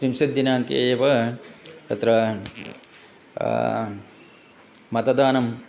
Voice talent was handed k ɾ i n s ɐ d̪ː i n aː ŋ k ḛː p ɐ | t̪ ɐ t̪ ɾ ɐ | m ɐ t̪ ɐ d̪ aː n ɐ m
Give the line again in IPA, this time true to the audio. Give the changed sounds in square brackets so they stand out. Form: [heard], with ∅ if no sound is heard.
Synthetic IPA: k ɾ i [m] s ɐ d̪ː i n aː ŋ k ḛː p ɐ | t̪ ɐ t̪ ɾ ɐ | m ɐ t̪ ɐ d̪ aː n ɐ m